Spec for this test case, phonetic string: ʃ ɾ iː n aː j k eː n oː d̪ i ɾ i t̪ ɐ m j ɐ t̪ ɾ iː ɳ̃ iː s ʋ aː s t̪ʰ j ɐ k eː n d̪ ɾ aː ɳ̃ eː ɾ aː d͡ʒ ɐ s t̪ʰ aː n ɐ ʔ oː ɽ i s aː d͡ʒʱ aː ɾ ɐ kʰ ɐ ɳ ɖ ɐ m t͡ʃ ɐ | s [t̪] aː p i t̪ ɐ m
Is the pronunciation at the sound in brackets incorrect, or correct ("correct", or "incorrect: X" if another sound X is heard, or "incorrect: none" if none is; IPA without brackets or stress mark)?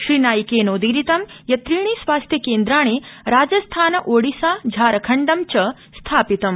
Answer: incorrect: t̪ʰ